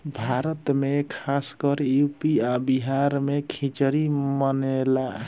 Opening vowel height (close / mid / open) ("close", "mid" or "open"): open